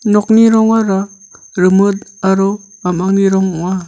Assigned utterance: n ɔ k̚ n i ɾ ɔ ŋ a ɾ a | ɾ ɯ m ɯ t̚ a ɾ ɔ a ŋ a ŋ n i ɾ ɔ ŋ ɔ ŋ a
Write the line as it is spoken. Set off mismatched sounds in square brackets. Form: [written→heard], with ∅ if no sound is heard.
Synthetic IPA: n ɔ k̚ n i ɾ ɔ ŋ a ɾ a | ɾ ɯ m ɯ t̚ a ɾ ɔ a [ŋ→m] a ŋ n i ɾ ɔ ŋ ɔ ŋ a